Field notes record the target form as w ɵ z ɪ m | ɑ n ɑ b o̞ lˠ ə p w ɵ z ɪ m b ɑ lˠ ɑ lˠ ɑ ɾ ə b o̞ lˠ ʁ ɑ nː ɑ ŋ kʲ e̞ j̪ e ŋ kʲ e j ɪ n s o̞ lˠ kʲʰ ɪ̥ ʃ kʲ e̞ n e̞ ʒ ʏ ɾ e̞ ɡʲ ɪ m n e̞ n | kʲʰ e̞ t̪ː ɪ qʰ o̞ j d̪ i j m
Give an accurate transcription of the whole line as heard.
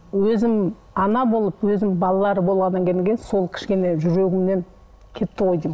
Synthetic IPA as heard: w ɵ z ɪ m | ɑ n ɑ b o̞ lˠ ə p w ɵ z ɪ m b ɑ lˠ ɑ lˠ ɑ ɾ ə b o̞ lˠ ʁ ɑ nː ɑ ŋ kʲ e̞ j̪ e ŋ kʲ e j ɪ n s o̞ lˠ kʲʰ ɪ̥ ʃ kʲ e̞ n e̞ ʒ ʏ ɾ e̞ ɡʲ ɪ m n e̞ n | kʲʰ e̞ t̪ː ɪ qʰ o̞ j d̪ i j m